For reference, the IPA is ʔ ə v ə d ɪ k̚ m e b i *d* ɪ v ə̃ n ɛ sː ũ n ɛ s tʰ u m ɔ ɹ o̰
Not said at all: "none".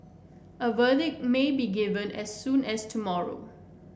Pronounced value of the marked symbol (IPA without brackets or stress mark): ɡ